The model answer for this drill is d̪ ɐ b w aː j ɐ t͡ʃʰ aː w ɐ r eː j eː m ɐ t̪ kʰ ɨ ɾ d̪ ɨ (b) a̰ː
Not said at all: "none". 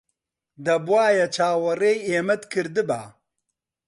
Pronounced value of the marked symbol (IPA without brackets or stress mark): b